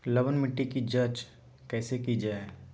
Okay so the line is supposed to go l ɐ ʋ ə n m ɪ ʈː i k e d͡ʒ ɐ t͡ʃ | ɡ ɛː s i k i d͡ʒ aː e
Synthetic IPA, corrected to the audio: l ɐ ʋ ə n m ɪ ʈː i k i d͡ʒ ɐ t͡ʃ | k ɛː s e k i d͡ʒ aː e

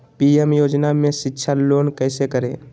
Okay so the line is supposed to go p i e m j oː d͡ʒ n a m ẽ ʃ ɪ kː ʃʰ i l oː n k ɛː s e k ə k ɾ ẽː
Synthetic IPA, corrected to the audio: p i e m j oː d͡ʒ n a m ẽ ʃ ɪ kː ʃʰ a l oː n k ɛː s e k ə ɾ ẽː

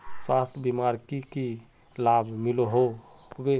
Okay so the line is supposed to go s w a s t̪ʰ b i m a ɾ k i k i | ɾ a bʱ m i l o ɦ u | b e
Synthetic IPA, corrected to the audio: s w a s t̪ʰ b i m a ɾ k i k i | l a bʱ m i l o ɦ o | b e

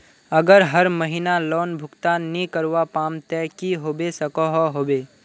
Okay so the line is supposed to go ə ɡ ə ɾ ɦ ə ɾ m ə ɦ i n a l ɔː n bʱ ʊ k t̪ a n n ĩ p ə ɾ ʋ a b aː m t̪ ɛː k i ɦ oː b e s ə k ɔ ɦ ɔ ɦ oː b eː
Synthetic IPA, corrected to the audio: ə ɡ ə ɾ ɦ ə ɾ m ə ɦ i n a l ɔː n bʱ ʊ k t̪ a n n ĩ k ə ɾ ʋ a p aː m t̪ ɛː k i ɦ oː b e s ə k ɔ ɦ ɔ ɦ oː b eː

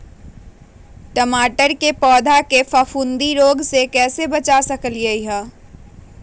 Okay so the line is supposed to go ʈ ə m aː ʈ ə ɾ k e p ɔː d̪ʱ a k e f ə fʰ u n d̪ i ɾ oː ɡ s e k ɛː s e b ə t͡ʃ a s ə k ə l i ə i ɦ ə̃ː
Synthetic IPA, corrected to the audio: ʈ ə m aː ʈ ə ɾ k e p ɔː d̪ʱ a k e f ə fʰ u n d̪ i ɾ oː ɡ s e k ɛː s e b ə t͡ʃ a s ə k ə l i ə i ɦ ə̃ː

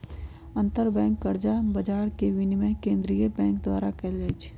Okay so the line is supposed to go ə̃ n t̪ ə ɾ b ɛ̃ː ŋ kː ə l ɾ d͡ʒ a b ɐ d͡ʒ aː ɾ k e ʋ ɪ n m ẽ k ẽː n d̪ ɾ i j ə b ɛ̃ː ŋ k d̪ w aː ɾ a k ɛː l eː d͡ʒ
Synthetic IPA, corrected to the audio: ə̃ n t̪ ə ɾ b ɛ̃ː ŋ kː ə ɾ d͡ʒ a b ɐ d͡ʒ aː ɾ k e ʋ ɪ n m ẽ k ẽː n d̪ ɾ i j ə b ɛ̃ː ŋ k d̪ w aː ɾ a k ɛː l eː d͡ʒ

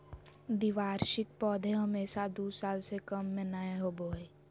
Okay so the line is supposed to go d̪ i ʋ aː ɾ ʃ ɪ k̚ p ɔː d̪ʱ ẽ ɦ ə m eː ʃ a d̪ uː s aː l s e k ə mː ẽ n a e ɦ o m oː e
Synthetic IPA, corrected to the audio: d̪ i ʋ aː ɾ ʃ ɪ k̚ p ɔː d̪ʱ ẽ ɦ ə m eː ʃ a d̪ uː s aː l s e k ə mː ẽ n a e ɦ o b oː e

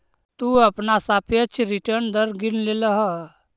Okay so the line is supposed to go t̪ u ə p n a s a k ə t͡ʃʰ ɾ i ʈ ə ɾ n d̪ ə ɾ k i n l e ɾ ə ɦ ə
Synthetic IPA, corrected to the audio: t̪ u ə p n a s a p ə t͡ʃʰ ɾ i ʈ ə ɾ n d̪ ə ɾ ɡ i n l e l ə ɦ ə

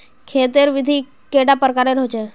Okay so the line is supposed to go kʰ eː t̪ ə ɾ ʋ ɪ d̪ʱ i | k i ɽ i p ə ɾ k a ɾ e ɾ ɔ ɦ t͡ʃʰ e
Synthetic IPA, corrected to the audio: kʰ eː t̪ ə ɾ ʋ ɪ d̪ʱ i | k e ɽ a p ə ɾ k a ɾ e ɾ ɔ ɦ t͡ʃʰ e

